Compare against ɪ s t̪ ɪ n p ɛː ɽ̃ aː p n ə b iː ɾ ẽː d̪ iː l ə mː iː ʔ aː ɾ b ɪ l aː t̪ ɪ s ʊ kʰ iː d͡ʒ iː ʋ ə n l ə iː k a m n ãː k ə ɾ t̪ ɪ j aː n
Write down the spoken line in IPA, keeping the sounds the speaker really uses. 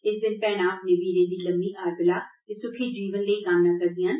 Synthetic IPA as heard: ɪ s d̪ ɪ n p ɛː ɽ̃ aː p n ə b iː ɾ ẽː d̪ iː l ə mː iː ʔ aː ɾ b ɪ l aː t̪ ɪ s ʊ kʰ iː d͡ʒ iː ʋ ə n l ə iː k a m n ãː k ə ɾ d̪ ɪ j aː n

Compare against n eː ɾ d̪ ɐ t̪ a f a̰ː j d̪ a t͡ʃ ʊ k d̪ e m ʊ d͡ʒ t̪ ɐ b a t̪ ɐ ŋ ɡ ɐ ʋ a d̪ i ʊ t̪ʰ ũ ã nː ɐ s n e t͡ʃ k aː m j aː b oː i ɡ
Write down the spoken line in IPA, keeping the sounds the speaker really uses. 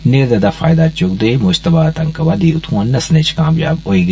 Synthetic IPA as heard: n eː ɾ d̪ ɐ d̪ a f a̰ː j d̪ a t͡ʃ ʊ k d̪ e m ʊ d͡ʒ t̪ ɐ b a t̪ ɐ ŋ k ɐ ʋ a d̪ i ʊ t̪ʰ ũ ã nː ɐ s n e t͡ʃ k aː m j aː b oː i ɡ

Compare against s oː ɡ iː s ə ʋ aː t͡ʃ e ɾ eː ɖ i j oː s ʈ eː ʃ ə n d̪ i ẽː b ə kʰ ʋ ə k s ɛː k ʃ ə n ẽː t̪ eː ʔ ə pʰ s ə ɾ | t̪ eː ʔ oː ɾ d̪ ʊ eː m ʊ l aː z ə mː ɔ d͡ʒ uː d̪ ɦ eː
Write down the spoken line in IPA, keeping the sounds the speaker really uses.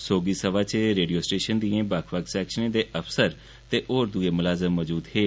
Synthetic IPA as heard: s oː ɡ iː s ə ʋ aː t͡ʃ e ɾ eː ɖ i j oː s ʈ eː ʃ ə n d̪ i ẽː b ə kʰ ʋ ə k s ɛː k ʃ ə n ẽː d̪ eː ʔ ə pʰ s ə ɾ | t̪ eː ʔ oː ɾ d̪ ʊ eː m ʊ l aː z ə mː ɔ d͡ʒ uː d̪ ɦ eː

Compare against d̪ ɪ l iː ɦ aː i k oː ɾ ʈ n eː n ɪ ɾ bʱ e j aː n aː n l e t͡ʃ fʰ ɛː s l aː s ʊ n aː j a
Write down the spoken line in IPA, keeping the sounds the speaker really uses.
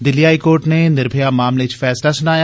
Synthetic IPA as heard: d̪ ɪ l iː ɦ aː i k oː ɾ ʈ n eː n ɪ ɾ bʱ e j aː m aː m l e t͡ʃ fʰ ɛː s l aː s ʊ n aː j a

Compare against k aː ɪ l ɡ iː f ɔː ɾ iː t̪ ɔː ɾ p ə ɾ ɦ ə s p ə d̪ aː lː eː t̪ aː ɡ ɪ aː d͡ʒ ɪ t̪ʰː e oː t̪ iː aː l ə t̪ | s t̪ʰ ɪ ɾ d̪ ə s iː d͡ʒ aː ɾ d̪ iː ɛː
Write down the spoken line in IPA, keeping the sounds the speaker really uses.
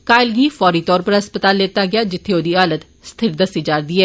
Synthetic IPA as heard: k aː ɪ l ɡ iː f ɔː ɾ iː t̪ ɔː ɾ p ə ɾ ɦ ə s p ə t̪ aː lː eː t̪ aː ɡ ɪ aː d͡ʒ ɪ t̪ʰː e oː d̪ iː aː l ə t̪ | s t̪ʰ ɪ ɾ d̪ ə s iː d͡ʒ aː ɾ d̪ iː ɛː

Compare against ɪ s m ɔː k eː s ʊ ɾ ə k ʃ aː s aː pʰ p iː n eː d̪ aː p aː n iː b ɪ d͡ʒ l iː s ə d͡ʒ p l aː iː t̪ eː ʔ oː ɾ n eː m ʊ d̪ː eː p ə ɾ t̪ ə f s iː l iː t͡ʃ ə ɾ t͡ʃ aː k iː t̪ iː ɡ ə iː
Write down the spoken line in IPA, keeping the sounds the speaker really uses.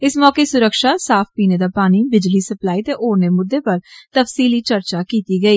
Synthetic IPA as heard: ɪ s m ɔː k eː s ʊ ɾ ə k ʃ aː s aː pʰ p iː n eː d̪ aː p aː n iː b ɪ d͡ʒ l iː s ə p l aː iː t̪ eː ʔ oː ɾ n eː m ʊ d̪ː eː p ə ɾ t̪ ə f s iː l iː t͡ʃ ə ɾ t͡ʃ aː k iː t̪ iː ɡ ə iː

